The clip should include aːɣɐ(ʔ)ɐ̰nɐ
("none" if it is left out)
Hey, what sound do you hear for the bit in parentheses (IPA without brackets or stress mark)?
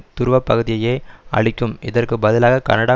k